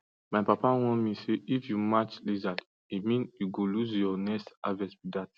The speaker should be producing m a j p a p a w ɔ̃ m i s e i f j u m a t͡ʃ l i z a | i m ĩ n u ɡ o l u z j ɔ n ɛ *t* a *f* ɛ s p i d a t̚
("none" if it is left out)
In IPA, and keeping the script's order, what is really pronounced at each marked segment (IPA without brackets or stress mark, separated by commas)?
s, v